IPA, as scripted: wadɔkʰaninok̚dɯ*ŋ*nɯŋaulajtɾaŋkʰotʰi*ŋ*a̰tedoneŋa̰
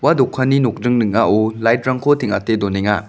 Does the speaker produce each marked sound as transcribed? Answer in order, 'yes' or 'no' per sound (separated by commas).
yes, yes